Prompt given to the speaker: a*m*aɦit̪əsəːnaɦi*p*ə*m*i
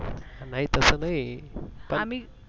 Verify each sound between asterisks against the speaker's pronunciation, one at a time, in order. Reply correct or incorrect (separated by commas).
incorrect, correct, correct